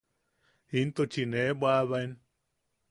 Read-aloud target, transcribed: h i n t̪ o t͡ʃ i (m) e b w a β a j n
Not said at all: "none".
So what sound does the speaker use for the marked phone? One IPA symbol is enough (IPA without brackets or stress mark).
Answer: n